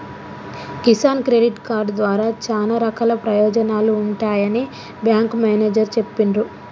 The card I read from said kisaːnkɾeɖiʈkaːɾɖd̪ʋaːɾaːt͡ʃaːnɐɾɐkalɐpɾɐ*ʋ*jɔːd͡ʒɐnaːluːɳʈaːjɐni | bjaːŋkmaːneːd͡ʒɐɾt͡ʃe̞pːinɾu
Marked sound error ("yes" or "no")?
yes